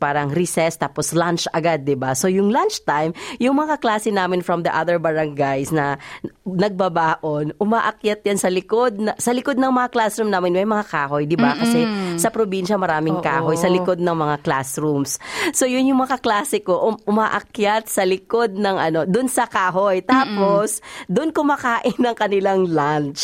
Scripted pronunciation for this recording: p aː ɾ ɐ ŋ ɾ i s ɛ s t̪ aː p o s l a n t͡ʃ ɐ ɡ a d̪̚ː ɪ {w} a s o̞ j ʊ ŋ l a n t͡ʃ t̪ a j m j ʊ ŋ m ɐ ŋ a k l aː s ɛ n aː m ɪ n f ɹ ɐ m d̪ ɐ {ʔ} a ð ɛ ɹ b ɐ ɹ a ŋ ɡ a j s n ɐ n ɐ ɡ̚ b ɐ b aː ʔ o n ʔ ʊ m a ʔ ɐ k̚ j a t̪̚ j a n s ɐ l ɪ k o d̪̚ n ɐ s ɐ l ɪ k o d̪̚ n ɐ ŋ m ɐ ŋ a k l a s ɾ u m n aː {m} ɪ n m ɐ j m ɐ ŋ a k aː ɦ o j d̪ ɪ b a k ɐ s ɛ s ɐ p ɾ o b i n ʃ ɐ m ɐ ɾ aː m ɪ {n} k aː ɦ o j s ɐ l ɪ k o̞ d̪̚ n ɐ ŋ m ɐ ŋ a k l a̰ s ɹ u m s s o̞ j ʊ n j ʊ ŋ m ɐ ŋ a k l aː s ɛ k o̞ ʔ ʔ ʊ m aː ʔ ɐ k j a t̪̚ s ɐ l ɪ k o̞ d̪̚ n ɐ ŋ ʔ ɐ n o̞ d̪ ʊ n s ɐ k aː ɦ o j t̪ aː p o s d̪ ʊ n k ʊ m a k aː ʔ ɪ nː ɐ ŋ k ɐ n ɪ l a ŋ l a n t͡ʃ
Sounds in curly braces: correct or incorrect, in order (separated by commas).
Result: incorrect, correct, correct, incorrect